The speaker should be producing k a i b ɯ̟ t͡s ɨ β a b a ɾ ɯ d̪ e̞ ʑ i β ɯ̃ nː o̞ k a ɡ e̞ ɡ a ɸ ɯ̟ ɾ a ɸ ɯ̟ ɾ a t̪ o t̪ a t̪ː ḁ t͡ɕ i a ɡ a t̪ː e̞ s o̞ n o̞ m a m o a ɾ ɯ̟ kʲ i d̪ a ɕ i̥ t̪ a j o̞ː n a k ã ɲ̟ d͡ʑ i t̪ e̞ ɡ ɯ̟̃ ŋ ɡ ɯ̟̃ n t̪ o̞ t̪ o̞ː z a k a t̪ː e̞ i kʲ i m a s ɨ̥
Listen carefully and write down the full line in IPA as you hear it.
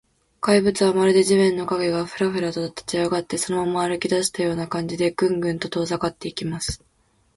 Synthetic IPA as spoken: k a i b ɯ̟ t͡s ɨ β a m a ɾ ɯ d̪ e̞ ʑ i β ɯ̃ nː o̞ k a ɡ e̞ ɡ a ɸ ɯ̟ ɾ a ɸ ɯ̟ ɾ a t̪ o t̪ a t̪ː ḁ t͡ɕ i a ɡ a t̪ː e̞ s o̞ n o̞ m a m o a ɾ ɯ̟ kʲ i d̪ a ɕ i̥ t̪ a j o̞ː n a k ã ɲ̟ d͡ʑ i d̪ e̞ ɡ ɯ̟̃ ŋ ɡ ɯ̟̃ n t̪ o̞ t̪ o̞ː z a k a t̪ː e̞ i kʲ i m a s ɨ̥

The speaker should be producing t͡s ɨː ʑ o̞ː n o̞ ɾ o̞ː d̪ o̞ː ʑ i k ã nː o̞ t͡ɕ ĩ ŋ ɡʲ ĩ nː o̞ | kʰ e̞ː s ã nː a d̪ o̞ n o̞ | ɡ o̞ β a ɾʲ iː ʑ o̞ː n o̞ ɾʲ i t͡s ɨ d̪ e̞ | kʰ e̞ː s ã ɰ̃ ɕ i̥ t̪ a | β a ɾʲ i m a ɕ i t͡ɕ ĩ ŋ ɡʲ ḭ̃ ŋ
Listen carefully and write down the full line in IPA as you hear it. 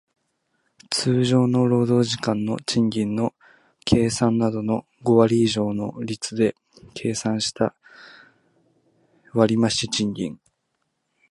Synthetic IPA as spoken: t͡s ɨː ʑ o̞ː n o̞ ɾ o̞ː d̪ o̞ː ʑ i k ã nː o̞ t͡ɕ ĩ ŋ ɡʲ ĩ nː o̞ | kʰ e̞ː s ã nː a d̪ o̞ n o̞ | ɡ o̞ β a ɾʲ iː ʑ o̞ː n o̞ ɾʲ i t͡s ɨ d̪ e̞ | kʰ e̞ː s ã ɰ̃ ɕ i̥ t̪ a | β a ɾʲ i m a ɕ i t͡ɕ ĩ ŋ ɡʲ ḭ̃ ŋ

